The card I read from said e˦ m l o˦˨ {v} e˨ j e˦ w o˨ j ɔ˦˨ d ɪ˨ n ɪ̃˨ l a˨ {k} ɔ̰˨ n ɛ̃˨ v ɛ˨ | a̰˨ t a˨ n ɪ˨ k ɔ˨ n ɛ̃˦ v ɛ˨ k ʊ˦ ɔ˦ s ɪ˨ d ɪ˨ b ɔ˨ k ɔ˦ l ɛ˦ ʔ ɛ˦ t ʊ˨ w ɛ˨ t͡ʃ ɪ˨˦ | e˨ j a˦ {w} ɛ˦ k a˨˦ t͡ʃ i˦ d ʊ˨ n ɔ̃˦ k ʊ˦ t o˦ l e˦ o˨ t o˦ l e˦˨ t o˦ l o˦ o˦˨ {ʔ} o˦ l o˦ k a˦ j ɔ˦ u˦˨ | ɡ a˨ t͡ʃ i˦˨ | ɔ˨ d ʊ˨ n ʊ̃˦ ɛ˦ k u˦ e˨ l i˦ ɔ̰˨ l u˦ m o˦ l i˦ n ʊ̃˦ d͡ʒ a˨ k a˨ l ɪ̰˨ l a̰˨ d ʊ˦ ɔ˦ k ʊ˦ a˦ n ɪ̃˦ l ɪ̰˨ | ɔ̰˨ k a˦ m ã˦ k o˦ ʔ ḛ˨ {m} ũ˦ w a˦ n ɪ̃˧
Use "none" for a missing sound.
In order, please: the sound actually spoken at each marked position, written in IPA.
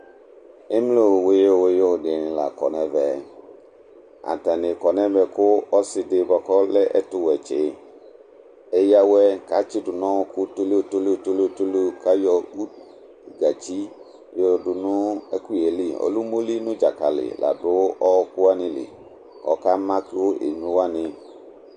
w, k, w, t, ɲ

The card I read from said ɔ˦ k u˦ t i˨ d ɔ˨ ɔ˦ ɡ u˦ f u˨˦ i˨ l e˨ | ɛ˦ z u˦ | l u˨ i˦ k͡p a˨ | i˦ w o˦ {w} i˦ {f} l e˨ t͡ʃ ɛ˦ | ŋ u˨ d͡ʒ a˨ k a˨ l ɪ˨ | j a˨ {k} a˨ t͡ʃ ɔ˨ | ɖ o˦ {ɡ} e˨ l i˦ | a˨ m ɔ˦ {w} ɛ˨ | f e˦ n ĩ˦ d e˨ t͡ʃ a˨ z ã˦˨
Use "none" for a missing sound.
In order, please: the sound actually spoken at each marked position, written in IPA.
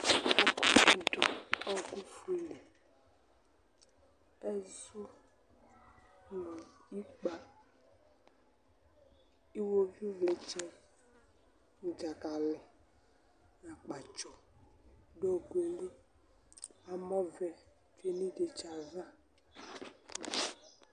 v, v, k͡p, ɡ, v

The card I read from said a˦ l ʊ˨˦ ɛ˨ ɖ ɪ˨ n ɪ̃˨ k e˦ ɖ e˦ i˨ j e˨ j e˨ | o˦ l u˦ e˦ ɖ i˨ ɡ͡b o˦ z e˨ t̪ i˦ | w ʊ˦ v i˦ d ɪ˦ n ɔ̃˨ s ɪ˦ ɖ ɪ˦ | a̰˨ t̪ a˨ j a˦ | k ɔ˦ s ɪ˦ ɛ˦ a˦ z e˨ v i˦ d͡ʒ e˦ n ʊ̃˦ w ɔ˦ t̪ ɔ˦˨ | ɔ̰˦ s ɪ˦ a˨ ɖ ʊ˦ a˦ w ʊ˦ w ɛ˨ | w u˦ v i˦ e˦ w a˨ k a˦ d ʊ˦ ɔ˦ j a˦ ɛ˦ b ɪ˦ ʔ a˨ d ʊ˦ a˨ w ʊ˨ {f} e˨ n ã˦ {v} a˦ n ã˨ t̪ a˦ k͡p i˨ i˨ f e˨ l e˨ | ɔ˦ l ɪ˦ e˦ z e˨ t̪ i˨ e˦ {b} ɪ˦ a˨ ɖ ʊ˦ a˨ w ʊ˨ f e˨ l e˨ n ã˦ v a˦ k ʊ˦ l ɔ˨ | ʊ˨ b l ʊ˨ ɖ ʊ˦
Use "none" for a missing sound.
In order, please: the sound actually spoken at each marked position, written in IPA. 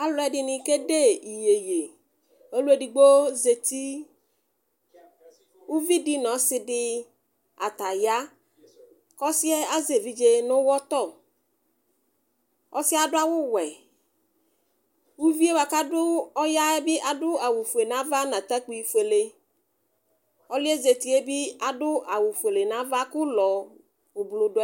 f, v, b

